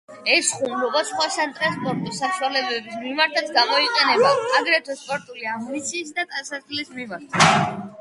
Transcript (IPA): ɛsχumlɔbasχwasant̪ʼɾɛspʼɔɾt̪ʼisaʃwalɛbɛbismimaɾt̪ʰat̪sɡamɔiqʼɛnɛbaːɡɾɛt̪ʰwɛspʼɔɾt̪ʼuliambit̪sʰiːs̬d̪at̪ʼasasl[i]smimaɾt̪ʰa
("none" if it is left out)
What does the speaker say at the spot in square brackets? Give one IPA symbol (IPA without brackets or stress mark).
i